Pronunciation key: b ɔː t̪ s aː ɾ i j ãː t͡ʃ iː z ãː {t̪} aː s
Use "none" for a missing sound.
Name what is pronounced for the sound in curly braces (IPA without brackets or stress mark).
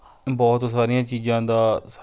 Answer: d̪